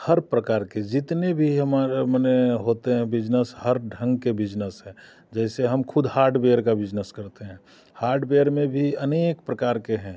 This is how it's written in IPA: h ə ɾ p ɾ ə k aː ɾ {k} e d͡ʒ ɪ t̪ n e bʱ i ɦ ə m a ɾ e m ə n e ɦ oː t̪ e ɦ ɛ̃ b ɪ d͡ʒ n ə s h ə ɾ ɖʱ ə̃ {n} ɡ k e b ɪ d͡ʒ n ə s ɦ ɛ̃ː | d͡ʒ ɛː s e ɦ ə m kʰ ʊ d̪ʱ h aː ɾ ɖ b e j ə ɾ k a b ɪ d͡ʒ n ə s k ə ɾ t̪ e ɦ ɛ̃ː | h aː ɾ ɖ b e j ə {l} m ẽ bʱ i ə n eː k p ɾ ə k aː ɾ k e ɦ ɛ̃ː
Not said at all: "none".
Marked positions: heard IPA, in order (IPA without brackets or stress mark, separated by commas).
k, ŋ, ɾ